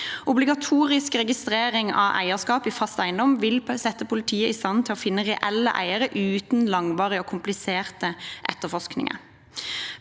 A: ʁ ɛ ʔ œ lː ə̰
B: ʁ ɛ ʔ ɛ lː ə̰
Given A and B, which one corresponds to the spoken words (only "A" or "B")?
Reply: B